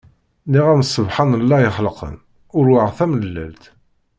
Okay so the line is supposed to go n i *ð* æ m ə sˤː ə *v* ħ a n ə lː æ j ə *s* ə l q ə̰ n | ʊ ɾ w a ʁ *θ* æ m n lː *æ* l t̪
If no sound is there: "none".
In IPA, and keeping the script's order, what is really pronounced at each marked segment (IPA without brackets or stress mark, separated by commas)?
ʁ, v, χ, θ, æ